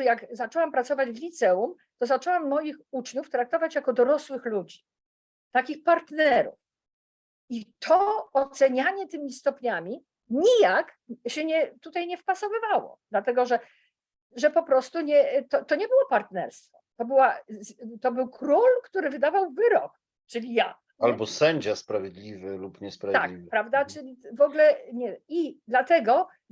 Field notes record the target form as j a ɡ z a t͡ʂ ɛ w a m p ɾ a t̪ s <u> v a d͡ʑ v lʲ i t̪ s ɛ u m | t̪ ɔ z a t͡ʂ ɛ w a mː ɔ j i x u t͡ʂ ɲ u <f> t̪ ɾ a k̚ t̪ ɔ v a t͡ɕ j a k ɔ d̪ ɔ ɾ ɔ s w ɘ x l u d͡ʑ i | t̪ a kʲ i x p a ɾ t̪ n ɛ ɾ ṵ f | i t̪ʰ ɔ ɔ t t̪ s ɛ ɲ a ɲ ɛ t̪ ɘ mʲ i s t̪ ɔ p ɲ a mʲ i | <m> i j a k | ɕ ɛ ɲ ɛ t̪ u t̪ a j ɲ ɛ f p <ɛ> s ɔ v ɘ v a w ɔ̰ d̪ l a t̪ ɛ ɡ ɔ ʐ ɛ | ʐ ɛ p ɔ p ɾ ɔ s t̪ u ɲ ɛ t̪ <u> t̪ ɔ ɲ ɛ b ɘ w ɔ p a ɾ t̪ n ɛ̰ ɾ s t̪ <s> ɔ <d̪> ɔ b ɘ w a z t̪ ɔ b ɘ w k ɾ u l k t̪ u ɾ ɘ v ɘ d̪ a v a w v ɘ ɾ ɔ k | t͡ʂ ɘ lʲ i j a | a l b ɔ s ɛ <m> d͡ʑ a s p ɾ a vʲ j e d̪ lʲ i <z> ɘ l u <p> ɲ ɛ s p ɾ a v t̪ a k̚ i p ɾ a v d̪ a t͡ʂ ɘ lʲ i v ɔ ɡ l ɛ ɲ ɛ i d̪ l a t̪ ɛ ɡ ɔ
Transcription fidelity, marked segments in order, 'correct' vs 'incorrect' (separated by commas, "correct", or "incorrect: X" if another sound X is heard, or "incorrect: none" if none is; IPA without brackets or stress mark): incorrect: ɔ, correct, incorrect: ɲ, incorrect: a, incorrect: ɔ, incorrect: f, incorrect: t̪, incorrect: ɲ, incorrect: v, correct